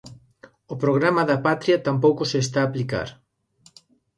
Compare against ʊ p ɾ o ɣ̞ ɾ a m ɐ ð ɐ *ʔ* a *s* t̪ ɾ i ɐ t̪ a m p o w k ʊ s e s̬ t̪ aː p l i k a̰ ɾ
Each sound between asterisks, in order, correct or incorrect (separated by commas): incorrect, incorrect